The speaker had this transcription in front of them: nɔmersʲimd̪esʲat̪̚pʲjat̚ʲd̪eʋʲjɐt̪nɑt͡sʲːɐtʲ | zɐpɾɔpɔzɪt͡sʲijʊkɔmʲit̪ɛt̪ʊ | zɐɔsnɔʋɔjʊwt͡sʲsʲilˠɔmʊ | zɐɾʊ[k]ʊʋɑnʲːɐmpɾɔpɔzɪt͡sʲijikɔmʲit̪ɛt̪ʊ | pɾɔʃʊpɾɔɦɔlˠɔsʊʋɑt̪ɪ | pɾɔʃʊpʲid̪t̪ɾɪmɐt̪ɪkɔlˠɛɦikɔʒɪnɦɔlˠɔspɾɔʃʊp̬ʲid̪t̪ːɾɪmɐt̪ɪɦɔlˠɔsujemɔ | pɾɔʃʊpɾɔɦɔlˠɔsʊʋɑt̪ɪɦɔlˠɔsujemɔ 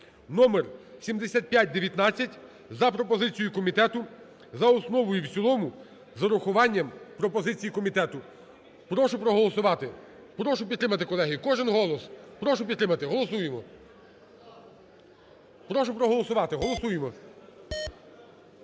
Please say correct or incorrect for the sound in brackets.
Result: incorrect: x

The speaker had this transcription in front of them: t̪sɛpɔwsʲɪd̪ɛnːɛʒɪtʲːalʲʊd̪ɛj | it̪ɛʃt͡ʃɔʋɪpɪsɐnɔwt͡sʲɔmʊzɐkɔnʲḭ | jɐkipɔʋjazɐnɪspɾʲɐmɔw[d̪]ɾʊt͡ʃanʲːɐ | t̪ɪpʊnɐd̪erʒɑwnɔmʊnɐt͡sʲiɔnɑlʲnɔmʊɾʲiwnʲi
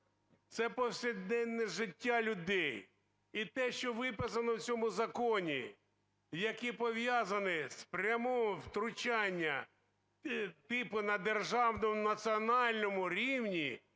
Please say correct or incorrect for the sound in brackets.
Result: incorrect: t̪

